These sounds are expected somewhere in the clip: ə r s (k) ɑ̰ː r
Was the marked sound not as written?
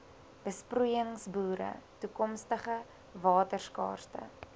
no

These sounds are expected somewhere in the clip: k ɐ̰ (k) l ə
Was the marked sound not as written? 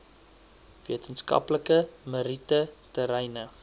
yes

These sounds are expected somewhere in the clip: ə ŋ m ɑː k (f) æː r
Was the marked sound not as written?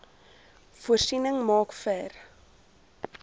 no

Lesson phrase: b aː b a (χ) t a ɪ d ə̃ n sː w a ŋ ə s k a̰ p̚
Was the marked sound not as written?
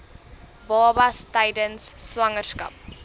yes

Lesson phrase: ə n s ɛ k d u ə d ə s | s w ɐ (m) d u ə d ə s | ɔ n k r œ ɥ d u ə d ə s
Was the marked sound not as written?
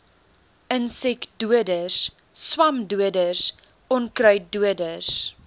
no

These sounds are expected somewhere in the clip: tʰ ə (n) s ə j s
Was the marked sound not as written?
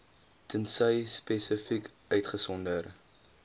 no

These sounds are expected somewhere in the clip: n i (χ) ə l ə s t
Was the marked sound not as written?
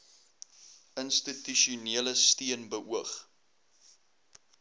yes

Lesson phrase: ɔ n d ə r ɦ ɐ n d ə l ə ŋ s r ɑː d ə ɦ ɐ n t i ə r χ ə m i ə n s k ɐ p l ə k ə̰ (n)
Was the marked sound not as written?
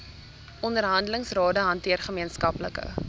yes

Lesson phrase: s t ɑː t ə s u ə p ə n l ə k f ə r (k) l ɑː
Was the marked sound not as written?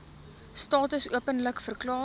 no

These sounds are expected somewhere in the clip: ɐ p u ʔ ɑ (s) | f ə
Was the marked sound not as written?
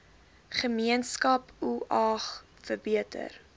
yes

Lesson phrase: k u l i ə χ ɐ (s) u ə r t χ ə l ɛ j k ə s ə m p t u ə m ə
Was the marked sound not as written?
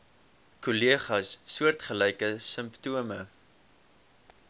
yes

